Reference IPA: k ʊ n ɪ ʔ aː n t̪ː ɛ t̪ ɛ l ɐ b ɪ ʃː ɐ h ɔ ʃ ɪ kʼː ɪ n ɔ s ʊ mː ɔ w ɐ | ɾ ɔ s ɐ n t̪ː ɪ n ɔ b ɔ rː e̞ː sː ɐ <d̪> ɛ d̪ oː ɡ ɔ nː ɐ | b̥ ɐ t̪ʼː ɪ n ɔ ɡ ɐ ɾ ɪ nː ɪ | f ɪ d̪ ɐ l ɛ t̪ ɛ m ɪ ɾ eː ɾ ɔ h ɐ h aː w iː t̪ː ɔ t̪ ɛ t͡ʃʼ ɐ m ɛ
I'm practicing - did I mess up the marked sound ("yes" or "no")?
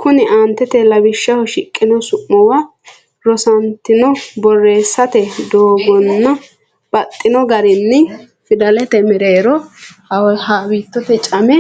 yes